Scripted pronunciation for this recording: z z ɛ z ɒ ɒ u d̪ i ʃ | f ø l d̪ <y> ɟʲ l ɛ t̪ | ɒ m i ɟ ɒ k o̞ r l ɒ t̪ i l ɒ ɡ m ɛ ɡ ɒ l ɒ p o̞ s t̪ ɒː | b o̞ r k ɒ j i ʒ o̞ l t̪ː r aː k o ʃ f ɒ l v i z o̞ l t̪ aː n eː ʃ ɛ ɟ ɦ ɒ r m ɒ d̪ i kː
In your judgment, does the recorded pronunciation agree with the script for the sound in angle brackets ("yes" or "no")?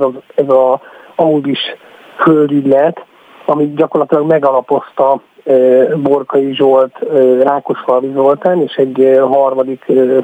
yes